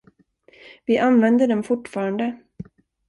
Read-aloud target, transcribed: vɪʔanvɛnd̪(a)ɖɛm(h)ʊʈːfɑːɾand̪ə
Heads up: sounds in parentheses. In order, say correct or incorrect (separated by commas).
incorrect, incorrect